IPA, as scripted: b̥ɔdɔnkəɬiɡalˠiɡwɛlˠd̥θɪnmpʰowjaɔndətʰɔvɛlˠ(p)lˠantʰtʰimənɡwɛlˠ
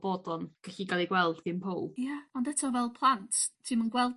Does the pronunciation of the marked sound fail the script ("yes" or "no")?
yes